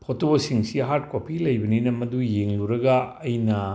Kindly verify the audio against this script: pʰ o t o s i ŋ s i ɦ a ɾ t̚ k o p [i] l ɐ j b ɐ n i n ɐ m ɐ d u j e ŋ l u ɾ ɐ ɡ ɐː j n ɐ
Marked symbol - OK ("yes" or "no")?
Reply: yes